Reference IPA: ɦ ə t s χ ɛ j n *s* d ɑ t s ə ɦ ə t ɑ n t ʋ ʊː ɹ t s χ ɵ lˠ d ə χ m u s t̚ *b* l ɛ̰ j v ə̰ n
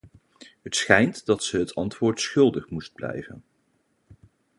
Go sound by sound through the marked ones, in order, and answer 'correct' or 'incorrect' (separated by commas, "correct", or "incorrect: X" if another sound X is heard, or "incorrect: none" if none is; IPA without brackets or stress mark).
incorrect: t, correct